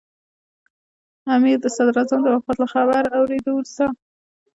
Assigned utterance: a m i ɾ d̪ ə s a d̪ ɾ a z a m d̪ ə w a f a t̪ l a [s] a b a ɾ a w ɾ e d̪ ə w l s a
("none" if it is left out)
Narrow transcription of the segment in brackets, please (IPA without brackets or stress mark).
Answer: x